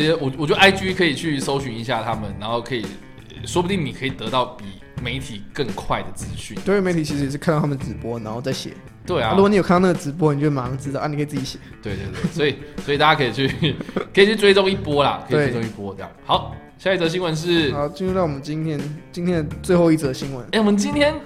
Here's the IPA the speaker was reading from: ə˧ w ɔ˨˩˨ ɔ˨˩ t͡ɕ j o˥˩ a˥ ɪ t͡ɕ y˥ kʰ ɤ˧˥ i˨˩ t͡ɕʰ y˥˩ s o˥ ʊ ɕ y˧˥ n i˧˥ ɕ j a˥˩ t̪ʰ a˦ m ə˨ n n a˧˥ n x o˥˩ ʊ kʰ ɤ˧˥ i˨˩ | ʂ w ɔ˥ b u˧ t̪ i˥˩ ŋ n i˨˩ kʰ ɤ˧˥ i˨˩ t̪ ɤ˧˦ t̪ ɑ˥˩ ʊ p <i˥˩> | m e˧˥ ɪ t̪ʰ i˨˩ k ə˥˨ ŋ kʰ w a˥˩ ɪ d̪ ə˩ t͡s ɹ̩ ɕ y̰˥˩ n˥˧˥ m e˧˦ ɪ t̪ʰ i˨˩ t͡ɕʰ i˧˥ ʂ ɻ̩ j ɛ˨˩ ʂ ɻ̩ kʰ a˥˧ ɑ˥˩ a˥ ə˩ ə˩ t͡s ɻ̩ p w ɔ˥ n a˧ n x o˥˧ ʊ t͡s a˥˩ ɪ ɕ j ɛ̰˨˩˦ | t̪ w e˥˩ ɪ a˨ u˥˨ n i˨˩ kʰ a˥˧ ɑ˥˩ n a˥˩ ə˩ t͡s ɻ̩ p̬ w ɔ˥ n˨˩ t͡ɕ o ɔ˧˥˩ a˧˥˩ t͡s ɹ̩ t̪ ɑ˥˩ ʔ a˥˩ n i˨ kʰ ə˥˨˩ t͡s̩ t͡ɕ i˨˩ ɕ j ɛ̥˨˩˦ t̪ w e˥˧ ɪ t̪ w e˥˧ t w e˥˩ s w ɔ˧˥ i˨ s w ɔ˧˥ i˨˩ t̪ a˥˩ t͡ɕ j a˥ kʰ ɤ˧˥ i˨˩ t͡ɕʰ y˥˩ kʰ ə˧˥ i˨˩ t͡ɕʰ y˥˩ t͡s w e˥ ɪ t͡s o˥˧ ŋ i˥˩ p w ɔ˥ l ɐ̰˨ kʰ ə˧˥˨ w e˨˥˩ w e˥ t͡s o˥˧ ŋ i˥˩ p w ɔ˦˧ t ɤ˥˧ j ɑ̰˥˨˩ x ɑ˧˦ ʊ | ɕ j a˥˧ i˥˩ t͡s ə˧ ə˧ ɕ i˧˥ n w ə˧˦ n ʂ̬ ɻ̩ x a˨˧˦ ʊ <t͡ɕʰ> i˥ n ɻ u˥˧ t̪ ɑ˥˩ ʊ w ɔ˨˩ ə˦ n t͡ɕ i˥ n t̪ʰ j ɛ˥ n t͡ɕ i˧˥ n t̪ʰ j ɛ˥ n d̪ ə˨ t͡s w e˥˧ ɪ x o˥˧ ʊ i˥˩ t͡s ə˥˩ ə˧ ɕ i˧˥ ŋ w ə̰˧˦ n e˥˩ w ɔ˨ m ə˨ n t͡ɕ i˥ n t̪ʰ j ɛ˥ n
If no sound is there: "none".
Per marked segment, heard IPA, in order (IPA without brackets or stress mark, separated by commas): i˨˩, t͡ɕ